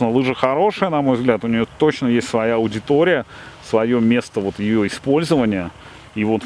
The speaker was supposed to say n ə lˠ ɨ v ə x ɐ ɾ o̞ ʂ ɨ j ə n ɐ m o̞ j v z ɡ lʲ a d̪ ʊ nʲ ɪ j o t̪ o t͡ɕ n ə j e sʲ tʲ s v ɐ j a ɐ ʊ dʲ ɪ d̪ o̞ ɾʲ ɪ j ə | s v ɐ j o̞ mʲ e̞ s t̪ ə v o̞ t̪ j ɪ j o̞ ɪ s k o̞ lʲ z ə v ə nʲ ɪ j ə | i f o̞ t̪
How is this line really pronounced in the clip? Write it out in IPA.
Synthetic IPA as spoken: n ə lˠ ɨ ʐ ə x ɐ ɾ o̞ ʂ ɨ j ə n ɐ m o̞ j v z ɡ lʲ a t̪ ʊ nʲ ɪ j o t̪ o t͡ɕ n ə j e sʲ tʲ s v ɐ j a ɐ ʊ dʲ ɪ t̪ o̞ ɾʲ ɪ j ə | s v ɐ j o̞ mʲ e̞ s t̪ ə v o̞ t̪ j ɪ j o̞ ɪ s p o̞ lʲ z ə v ə nʲ ɪ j ə | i v o̞ t̪